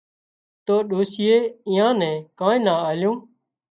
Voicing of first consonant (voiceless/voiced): voiceless